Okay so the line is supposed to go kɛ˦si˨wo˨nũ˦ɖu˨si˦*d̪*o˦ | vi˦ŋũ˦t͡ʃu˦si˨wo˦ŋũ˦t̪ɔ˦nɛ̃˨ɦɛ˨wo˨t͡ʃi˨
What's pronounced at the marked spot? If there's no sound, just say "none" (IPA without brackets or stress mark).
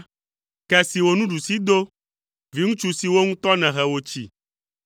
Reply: d̪